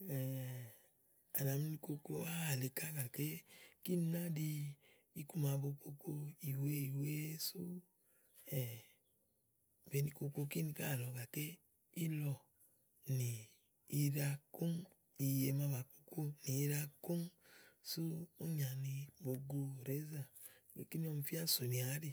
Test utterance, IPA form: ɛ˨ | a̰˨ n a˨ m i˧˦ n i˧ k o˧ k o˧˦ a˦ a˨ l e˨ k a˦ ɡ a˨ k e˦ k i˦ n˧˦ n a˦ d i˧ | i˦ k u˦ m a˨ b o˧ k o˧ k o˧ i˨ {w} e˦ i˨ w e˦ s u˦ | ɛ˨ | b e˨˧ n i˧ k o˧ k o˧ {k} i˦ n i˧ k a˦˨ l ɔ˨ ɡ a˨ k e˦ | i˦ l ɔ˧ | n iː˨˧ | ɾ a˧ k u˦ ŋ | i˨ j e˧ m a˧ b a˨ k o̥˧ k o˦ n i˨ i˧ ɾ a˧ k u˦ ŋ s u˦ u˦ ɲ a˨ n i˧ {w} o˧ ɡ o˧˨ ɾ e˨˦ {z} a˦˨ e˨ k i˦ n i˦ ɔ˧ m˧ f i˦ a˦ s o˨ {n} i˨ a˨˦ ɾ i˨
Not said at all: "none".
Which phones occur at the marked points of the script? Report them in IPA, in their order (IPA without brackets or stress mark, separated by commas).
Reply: w, k, b, z, n